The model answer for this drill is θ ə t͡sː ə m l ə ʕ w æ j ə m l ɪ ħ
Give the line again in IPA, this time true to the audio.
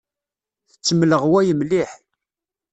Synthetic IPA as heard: θ ə t͡sː ə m l ə ʁ w æ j ə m l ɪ ħ